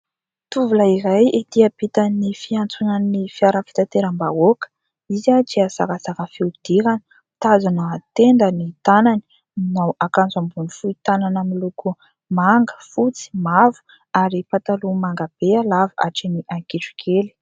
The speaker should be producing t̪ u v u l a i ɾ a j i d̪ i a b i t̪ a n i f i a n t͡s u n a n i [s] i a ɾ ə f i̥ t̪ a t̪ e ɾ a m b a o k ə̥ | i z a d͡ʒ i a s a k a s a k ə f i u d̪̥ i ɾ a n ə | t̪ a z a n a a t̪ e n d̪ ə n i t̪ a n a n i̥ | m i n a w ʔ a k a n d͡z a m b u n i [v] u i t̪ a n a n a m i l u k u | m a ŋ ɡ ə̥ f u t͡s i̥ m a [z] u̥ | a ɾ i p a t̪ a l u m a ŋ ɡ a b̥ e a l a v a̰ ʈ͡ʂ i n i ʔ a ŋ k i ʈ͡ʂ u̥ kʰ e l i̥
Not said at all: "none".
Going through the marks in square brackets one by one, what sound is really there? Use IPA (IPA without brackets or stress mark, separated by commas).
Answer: f, f, v